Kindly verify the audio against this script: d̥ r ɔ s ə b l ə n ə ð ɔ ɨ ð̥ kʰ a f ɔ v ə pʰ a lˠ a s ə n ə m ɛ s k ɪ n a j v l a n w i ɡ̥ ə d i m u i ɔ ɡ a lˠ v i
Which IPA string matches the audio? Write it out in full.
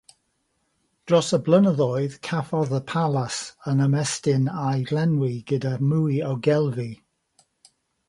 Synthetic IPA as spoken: d̥ r ɔ s ə b l ə n ə ð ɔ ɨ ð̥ kʰ a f ɔ ð ə pʰ a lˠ a s ə n ə m ɛ s t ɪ n a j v l ɛ n w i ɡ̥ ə d a m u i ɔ ɡ ɛ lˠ v i

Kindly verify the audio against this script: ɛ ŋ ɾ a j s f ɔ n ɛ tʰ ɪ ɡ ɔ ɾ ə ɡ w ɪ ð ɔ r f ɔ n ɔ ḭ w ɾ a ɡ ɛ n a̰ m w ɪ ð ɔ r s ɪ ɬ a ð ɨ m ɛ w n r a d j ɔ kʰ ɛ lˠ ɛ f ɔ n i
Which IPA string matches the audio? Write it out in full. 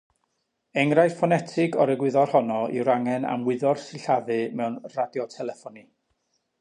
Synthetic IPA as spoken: ɛ ŋ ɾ a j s f ɔ n ɛ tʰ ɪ ɡ ɔ ɾ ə ɡ w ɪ ð ɔ r h ɔ n ɔ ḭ w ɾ a ŋ ɛ n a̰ m w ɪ ð ɔ r s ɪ ɬ a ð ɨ m ɛ w n r a d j ɔ tʰ ɛ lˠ ɛ f ɔ n i

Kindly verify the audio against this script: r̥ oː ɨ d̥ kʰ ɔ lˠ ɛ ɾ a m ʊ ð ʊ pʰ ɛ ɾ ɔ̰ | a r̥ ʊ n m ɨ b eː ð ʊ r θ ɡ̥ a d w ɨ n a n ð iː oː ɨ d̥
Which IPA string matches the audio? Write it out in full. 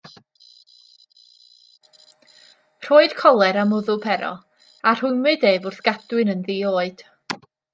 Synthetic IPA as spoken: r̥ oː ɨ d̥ kʰ ɔ lˠ ɛ ɾ a m ʊ ð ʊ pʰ ɛ ɾ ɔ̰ | a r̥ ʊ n m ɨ d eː v ʊ r θ ɡ̥ a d w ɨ n ə n ð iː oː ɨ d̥

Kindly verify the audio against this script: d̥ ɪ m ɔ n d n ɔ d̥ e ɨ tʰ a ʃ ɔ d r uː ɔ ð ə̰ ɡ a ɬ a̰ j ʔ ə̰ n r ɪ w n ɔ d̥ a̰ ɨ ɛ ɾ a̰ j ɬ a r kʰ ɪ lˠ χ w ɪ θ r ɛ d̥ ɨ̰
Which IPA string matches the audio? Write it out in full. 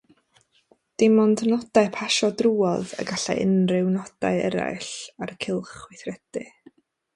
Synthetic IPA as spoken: d̥ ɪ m ɔ n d n ɔ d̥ a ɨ pʰ a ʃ ɔ d r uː ɔ ð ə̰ ɡ a ɬ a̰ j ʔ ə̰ n r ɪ w n ɔ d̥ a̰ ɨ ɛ ɾ a̰ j ɬ a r kʰ ɪ lˠ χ w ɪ θ r ɛ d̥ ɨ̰

